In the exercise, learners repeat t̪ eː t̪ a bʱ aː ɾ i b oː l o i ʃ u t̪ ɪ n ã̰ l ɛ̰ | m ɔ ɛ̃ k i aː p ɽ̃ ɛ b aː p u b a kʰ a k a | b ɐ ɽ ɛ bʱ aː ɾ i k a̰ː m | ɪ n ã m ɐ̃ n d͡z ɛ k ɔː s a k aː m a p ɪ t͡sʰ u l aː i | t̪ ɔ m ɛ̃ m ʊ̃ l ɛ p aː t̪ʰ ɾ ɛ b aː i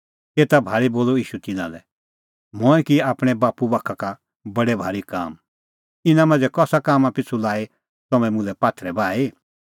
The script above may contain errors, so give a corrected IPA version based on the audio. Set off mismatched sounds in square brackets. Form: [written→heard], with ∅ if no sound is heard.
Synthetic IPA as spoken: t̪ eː t̪ a bʱ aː ɾ i b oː l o [i→iː] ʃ u t̪ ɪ n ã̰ l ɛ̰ | m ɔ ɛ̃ k i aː p ɽ̃ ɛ b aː p u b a kʰ a k a | b ɐ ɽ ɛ bʱ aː ɾ i k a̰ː m | ɪ n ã m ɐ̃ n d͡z ɛ k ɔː s a k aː m a p ɪ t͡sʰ u l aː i | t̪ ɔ m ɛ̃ m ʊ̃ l ɛ p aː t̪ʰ ɾ ɛ b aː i

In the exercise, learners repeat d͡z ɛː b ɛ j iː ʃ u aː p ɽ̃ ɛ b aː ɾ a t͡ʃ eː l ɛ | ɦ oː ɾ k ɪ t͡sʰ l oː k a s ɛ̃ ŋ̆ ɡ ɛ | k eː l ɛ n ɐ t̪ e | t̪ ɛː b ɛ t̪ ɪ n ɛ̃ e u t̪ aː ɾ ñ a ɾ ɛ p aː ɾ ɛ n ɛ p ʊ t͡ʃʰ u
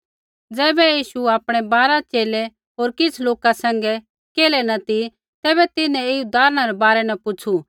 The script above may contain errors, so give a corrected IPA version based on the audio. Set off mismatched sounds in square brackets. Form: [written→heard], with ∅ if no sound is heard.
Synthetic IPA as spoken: d͡z ɛː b ɛ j iː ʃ u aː p ɽ̃ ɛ b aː ɾ a t͡ʃ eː l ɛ | ɦ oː ɾ k ɪ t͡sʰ l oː k a s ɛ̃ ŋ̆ ɡ ɛ | k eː l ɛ n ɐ t̪ [e→i] | t̪ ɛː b ɛ t̪ ɪ n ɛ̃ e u [t̪→d̪] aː ɾ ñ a ɾ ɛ [p→b] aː ɾ ɛ n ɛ p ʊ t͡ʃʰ u

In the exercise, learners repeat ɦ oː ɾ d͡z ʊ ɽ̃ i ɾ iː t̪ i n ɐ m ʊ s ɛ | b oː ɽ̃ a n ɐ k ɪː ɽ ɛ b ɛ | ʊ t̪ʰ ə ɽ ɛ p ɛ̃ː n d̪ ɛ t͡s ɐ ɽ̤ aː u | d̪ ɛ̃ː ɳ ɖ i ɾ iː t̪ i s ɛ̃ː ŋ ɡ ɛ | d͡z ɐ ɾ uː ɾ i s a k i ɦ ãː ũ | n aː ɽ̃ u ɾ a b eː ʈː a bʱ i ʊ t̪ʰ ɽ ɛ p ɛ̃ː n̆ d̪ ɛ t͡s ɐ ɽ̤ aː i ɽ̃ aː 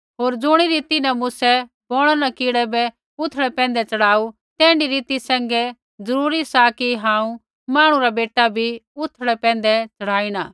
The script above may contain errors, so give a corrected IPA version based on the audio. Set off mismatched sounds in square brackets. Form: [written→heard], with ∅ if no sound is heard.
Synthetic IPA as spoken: ɦ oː ɾ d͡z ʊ ɽ̃ i ɾ iː t̪ i n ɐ m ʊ s ɛ | b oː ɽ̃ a n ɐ k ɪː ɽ ɛ b ɛ | ʊ t̪ʰ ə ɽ ɛ p ɛ̃ː n d̪ ɛ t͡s ɐ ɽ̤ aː u | [d̪→t̪] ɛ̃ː ɳ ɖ i ɾ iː t̪ i s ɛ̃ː ŋ ɡ ɛ | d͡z ɐ ɾ uː ɾ i s a k i ɦ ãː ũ | [n→m] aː ɽ̃ u ɾ a b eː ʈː a bʱ i ʊ t̪ʰ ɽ ɛ p ɛ̃ː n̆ d̪ ɛ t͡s ɐ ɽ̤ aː i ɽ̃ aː

